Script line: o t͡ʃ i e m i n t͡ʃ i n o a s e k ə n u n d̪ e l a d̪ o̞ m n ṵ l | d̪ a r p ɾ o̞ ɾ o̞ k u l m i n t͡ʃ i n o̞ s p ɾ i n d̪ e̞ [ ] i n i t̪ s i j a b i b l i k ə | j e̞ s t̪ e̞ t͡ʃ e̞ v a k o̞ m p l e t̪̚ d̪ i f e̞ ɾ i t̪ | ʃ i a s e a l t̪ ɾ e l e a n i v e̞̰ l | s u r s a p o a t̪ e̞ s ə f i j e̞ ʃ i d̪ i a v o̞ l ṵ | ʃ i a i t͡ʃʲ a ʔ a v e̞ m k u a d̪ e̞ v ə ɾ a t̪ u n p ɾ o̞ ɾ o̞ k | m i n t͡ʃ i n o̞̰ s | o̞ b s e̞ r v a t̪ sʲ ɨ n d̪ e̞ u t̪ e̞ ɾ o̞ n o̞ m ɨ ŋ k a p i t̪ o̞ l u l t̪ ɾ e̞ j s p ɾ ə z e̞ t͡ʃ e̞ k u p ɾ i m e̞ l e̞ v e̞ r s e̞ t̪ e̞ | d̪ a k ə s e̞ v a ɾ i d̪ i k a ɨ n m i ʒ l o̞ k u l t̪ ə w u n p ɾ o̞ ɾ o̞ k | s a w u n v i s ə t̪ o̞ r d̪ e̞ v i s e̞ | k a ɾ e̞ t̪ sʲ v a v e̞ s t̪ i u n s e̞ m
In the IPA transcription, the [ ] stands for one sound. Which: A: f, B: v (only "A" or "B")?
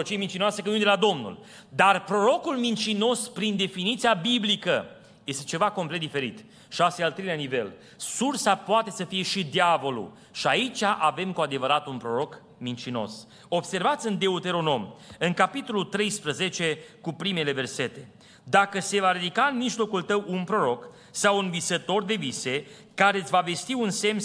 A